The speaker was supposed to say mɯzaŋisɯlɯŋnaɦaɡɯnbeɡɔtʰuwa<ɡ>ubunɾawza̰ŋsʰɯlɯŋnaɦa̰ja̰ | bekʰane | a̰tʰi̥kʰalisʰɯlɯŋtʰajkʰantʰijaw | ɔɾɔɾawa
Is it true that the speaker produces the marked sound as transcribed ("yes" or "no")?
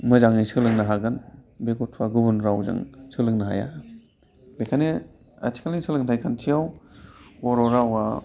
yes